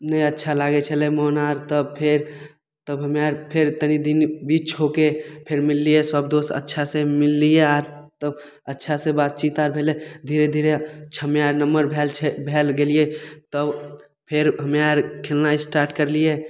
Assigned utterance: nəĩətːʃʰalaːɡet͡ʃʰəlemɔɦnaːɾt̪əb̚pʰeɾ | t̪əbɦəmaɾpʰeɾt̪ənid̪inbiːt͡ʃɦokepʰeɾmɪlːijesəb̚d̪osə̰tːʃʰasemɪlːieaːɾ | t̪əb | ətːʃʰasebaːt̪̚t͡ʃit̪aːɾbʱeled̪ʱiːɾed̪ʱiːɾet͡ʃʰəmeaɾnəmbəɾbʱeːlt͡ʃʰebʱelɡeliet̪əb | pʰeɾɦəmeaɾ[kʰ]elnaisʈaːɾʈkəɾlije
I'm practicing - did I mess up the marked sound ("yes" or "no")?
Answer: no